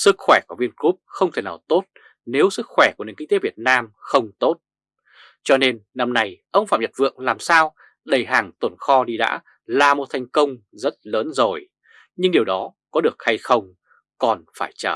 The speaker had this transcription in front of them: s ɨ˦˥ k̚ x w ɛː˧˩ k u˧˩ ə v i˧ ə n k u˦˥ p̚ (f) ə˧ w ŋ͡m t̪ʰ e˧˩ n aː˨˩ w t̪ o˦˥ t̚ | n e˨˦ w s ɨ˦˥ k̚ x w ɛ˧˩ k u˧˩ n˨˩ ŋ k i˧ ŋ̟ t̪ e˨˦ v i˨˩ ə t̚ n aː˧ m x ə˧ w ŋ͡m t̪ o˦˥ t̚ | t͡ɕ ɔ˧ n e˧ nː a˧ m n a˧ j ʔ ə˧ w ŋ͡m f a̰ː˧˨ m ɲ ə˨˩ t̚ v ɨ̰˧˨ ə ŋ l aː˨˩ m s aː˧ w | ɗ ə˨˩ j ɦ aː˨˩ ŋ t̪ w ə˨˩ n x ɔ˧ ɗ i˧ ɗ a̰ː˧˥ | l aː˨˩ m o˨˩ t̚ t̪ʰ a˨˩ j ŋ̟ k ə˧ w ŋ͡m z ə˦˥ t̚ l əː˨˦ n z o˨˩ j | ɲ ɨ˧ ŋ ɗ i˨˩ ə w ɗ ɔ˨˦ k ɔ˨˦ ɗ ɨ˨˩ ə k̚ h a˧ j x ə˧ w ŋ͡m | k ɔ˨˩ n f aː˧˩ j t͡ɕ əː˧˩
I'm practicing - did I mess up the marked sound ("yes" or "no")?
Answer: yes